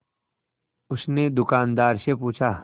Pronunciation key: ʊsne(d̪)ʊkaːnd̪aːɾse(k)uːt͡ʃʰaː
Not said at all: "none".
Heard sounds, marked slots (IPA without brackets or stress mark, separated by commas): d̪, p